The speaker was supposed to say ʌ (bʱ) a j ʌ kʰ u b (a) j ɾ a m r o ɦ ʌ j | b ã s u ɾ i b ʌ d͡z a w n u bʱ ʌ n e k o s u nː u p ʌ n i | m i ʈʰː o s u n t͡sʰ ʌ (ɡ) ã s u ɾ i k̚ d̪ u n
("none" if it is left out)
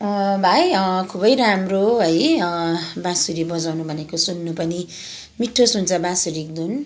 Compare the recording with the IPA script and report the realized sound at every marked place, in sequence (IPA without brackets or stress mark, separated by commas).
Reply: bʱ, ʌ, b